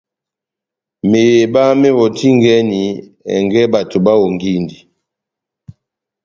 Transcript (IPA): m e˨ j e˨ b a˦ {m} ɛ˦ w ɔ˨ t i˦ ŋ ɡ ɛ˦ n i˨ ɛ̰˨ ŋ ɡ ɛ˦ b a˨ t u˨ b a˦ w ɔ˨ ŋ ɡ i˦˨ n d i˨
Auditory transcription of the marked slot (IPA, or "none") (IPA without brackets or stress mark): m